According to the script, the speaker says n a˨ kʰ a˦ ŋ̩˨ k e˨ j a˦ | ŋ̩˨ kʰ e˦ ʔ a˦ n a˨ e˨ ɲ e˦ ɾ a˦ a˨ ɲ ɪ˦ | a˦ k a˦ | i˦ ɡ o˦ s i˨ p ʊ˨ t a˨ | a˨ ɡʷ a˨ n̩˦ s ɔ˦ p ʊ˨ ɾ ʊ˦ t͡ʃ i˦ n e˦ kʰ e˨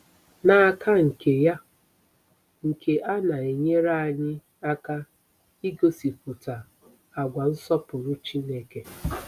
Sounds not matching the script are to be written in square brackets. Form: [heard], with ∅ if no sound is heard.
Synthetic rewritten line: n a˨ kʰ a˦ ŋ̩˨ k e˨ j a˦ | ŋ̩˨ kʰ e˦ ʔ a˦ n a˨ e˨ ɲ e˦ ɾ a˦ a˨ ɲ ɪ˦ | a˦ k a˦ | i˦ ɡ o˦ s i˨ p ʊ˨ t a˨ | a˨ ɡʷ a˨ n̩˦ s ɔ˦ p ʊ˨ ɾ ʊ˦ t͡ʃ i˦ n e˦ [k] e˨